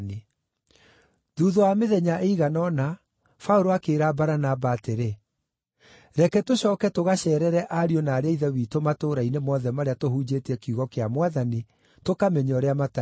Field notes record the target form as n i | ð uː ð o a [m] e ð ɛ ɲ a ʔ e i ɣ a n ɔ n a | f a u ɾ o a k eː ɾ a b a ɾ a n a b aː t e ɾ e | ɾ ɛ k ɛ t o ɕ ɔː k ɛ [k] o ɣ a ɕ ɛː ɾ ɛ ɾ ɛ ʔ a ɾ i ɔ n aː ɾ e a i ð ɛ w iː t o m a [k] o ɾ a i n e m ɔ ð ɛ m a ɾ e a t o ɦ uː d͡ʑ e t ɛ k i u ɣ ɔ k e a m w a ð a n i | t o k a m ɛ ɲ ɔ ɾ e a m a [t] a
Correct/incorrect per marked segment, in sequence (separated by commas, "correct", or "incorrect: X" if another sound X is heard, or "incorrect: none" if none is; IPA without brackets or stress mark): correct, incorrect: t, incorrect: t, correct